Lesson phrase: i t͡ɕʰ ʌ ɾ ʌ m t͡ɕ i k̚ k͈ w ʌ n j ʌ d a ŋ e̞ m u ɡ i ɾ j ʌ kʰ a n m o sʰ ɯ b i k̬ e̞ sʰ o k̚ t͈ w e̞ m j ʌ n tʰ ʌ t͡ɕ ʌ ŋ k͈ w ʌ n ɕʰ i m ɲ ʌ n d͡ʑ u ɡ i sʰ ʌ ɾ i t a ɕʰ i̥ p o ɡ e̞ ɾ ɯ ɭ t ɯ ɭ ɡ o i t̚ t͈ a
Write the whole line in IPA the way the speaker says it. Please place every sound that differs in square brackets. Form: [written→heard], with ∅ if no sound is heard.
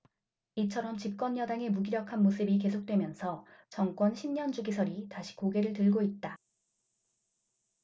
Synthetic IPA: i t͡ɕʰ ʌ ɾ ʌ m t͡ɕ i [k̚→p̚] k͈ w ʌ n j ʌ d a ŋ e̞ m u ɡ i ɾ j ʌ kʰ a n m o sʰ ɯ b i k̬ e̞ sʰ o k̚ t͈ w e̞ m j ʌ n [tʰ→sʰ] ʌ t͡ɕ ʌ ŋ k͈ w ʌ n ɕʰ i m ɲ ʌ n d͡ʑ u ɡ i sʰ ʌ ɾ i t a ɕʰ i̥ [p→k] o ɡ e̞ ɾ ɯ ɭ t ɯ ɭ ɡ o i t̚ t͈ a

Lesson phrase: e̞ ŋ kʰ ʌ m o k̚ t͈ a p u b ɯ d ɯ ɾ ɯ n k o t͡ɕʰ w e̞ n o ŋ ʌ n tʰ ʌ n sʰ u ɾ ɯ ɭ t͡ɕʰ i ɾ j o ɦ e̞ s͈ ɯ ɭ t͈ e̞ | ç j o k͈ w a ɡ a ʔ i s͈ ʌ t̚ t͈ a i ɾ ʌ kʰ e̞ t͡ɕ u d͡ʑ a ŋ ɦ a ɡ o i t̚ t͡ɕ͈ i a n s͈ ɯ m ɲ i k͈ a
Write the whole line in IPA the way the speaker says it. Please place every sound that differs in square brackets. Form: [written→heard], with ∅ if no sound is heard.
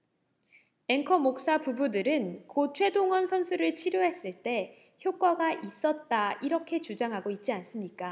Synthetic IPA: e̞ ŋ kʰ ʌ m o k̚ [t͈→s͈] a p u b [ɯ→u] d ɯ ɾ ɯ n k o t͡ɕʰ w e̞ [n→d] o ŋ ʌ n [tʰ→sʰ] ʌ n sʰ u ɾ ɯ ɭ t͡ɕʰ i ɾ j o ɦ e̞ s͈ ɯ ɭ t͈ e̞ | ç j o k͈ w a ɡ a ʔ i s͈ ʌ t̚ t͈ a i ɾ ʌ kʰ e̞ t͡ɕ u d͡ʑ a ŋ ɦ a ɡ o i t̚ t͡ɕ͈ i a n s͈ ɯ m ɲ i k͈ a

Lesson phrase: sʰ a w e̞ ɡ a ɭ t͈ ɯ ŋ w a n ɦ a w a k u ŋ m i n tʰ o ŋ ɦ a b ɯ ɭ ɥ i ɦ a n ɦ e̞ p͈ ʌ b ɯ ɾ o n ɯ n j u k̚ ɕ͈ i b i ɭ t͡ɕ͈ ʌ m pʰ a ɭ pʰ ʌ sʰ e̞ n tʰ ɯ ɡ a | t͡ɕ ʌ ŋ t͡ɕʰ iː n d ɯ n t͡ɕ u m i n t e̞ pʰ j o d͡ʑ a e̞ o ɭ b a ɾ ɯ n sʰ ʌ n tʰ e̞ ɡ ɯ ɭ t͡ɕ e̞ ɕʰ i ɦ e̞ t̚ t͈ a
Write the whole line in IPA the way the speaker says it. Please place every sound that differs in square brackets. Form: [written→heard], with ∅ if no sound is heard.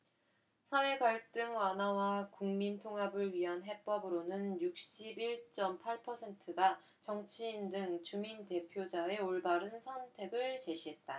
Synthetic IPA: sʰ a w e̞ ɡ a ɭ t͈ ɯ ŋ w a n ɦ a w a k u ŋ m i n tʰ o ŋ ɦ a b ɯ ɭ ɥ i ɦ a n ɦ e̞ p͈ ʌ b ɯ ɾ o n ɯ n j u k̚ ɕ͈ i b i ɭ t͡ɕ͈ ʌ m pʰ a ɭ pʰ ʌ sʰ e̞ n tʰ ɯ ɡ a | t͡ɕ ʌ ŋ t͡ɕʰ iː n d ɯ [n→ŋ] t͡ɕ u m i n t e̞ pʰ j o d͡ʑ a e̞ o ɭ b a ɾ ɯ n sʰ ʌ n tʰ e̞ ɡ ɯ ɭ t͡ɕ e̞ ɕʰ i ɦ e̞ t̚ t͈ a

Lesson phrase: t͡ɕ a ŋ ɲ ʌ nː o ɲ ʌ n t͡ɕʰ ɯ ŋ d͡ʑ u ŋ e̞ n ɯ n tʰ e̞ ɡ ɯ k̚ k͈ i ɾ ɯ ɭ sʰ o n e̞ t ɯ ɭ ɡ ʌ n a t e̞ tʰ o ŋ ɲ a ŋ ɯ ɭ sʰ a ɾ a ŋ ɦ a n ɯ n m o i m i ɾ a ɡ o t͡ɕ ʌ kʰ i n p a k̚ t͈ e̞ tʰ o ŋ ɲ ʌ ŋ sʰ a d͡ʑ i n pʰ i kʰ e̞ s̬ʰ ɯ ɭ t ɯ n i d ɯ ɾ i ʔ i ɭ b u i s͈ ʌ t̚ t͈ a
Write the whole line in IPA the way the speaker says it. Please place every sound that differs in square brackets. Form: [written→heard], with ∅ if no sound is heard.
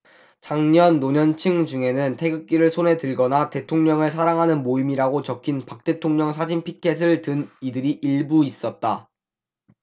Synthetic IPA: t͡ɕ a ŋ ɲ ʌ nː o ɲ ʌ n t͡ɕʰ ɯ ŋ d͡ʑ u ŋ e̞ n ɯ n tʰ e̞ ɡ ɯ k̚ k͈ i ɾ ɯ ɭ sʰ o n e̞ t ɯ ɭ ɡ ʌ n a t e̞ tʰ o ŋ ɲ [a→ʌ] ŋ ɯ ɭ sʰ a ɾ a ŋ ɦ a n ɯ n m o i m i ɾ a ɡ o t͡ɕ ʌ kʰ i n p a k̚ t͈ e̞ tʰ o ŋ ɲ ʌ ŋ sʰ a d͡ʑ i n pʰ i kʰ e̞ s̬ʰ ɯ ɭ t ɯ n i d ɯ ɾ i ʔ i ɭ b u i s͈ ʌ t̚ t͈ a

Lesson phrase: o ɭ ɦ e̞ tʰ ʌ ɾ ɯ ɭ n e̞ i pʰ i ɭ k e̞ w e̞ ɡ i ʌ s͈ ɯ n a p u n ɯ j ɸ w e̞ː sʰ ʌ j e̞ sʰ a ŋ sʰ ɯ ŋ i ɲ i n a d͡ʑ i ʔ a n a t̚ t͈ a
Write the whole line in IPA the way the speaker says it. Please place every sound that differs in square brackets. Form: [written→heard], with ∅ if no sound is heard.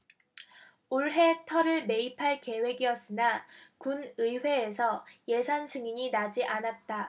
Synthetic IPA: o ɭ ɦ e̞ tʰ ʌ ɾ ɯ ɭ [n→m] e̞ i pʰ [i→a] ɭ k e̞ w e̞ ɡ i ʌ s͈ ɯ n a [p→k] u n ɯ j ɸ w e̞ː sʰ ʌ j e̞ sʰ a [ŋ→n] sʰ ɯ ŋ i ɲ i n a d͡ʑ i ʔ a n a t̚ t͈ a

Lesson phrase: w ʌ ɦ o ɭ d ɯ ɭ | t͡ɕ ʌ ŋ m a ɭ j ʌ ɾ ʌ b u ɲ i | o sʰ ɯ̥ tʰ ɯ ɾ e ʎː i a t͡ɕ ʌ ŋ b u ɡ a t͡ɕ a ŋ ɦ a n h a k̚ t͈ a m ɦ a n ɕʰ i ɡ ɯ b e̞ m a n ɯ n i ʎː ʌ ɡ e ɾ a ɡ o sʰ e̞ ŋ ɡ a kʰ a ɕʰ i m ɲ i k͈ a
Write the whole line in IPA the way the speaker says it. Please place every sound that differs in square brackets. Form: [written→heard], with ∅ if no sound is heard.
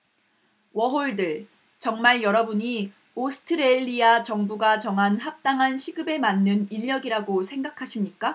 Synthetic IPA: w ʌ ɦ o ɭ d ɯ ɭ | t͡ɕ ʌ ŋ m a ɭ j ʌ ɾ ʌ b u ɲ i | o sʰ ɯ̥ tʰ ɯ ɾ e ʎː i a t͡ɕ ʌ ŋ b u ɡ a t͡ɕ [a→ʌ] ŋ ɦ a n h a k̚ t͈ a [m→ŋ] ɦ a n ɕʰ i ɡ ɯ b e̞ m a [n→nː] ɯ n i ʎː ʌ ɡ [e→i] ɾ a ɡ o sʰ e̞ ŋ ɡ a kʰ a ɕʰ i m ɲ i k͈ a

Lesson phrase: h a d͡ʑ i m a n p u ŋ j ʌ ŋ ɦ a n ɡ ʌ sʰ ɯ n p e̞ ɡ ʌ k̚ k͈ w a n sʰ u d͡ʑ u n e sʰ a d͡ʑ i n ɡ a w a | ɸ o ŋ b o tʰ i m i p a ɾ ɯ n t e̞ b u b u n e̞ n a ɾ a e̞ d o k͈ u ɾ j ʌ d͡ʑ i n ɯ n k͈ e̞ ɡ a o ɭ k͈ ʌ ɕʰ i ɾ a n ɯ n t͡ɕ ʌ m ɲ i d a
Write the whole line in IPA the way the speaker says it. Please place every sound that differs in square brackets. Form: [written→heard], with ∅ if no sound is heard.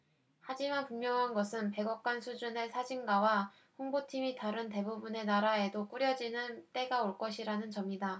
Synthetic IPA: h a d͡ʑ i m a n p u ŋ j ʌ ŋ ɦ a n ɡ ʌ sʰ ɯ n p e̞ ɡ ʌ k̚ k͈ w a n sʰ u d͡ʑ u n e sʰ a d͡ʑ i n ɡ a w a | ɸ o ŋ b o tʰ i m i [p→t] a ɾ ɯ n t e̞ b u b u n e̞ n a ɾ a e̞ d o k͈ u ɾ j ʌ d͡ʑ i n ɯ n [k͈→t͈] e̞ ɡ a o ɭ k͈ ʌ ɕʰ i ɾ a n ɯ n t͡ɕ ʌ m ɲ i d a

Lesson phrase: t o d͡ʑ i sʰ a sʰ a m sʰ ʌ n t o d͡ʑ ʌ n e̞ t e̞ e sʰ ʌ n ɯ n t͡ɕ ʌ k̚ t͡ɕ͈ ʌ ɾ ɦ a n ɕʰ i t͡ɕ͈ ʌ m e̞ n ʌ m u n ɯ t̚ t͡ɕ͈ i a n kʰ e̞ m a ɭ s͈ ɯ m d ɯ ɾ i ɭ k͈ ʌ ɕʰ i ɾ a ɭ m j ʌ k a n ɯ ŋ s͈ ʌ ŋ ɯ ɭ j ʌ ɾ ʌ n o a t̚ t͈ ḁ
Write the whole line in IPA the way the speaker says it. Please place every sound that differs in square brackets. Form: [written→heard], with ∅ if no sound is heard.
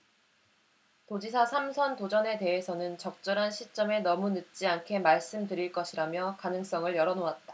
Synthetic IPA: t o d͡ʑ i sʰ a sʰ a m sʰ ʌ n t o d͡ʑ ʌ n e̞ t e̞ e sʰ ʌ n ɯ n t͡ɕ ʌ k̚ t͡ɕ͈ ʌ ɾ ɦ a n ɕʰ i t͡ɕ͈ ʌ m e̞ n ʌ m u n ɯ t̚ t͡ɕ͈ i a n kʰ e̞ m a ɭ s͈ ɯ m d ɯ ɾ i ɭ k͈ ʌ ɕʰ i ɾ a [ɭ→∅] m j ʌ k a n ɯ ŋ s͈ ʌ ŋ ɯ ɭ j ʌ ɾ ʌ n o a t̚ t͈ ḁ

